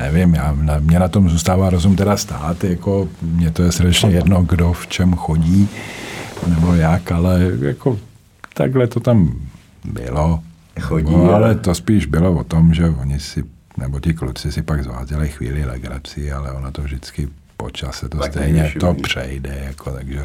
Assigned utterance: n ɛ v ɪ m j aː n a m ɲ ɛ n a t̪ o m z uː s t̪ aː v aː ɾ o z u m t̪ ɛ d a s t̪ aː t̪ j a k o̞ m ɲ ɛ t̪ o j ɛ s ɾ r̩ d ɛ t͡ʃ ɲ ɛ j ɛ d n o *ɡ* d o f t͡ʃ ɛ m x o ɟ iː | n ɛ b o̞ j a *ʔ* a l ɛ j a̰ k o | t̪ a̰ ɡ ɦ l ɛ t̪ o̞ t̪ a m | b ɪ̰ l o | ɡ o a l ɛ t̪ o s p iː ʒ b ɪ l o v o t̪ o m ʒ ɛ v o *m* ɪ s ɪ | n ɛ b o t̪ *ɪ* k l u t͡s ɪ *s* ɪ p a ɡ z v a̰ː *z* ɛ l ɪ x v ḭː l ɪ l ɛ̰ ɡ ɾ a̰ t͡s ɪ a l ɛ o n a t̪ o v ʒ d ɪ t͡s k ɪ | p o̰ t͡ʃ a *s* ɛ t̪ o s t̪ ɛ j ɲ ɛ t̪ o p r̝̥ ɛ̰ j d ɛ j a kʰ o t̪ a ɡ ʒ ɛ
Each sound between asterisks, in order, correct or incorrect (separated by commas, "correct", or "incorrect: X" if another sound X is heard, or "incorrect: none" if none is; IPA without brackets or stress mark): correct, incorrect: k, incorrect: ɲ, correct, correct, correct, correct